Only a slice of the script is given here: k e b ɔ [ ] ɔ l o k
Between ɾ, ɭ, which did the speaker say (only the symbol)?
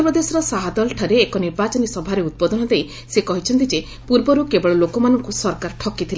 ɭ